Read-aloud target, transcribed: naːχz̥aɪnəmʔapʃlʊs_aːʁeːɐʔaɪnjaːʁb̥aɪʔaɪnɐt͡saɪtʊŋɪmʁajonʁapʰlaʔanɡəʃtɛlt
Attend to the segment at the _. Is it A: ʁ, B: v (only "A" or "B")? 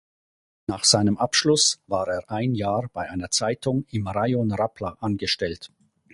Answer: B